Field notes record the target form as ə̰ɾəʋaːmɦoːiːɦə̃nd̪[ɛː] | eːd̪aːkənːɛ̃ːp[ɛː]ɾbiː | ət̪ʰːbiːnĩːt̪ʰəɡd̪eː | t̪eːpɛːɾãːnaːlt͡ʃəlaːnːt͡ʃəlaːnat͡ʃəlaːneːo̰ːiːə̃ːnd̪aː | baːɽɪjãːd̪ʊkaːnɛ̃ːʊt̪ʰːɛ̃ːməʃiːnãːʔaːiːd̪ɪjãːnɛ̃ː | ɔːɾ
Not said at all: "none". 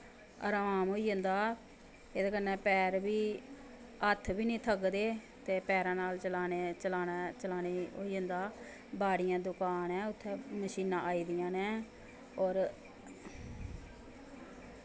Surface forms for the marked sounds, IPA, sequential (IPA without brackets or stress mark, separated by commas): aː, ɛː